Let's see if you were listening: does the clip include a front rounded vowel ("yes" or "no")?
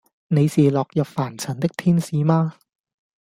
no